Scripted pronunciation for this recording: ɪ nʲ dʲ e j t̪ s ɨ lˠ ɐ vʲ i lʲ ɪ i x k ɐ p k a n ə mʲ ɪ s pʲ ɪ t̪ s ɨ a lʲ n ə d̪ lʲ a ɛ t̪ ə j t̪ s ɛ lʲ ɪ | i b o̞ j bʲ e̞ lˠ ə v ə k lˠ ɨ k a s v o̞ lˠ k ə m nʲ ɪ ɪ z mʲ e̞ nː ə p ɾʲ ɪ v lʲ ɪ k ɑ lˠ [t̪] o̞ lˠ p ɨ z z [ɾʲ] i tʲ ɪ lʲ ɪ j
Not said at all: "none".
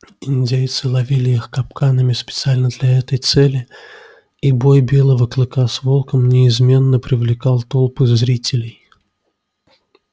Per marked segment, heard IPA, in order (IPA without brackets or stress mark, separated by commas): t̪, ɾʲ